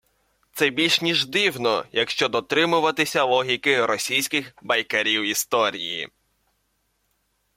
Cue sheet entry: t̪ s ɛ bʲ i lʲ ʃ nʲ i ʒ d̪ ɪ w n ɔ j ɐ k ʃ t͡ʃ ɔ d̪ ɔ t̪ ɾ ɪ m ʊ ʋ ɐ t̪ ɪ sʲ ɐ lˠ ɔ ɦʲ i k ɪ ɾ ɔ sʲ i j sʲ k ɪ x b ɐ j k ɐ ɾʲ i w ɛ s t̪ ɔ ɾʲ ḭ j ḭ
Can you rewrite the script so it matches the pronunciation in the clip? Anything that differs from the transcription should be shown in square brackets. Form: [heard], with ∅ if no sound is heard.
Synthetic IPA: t̪ s ɛ bʲ i lʲ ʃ nʲ i ʒ d̪ ɪ w n ɔ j ɐ k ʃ t͡ʃ ɔ d̪ ɔ t̪ ɾ ɪ m ʊ ʋ ɐ t̪ ɪ sʲ ɐ lˠ ɔ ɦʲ i k ɪ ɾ ɔ sʲ i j sʲ k ɪ x b ɐ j k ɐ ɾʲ i w [i] s t̪ ɔ ɾʲ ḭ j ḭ